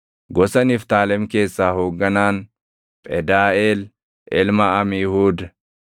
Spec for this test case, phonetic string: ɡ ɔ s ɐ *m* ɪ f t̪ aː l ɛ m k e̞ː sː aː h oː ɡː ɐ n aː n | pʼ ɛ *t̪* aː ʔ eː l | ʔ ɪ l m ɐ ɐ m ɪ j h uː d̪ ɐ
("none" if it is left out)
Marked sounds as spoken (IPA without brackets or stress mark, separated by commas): n, d̪